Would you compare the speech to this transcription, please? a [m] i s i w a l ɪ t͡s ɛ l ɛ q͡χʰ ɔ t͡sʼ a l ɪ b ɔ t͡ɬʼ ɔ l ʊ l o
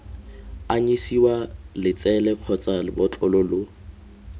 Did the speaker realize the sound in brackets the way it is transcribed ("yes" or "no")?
no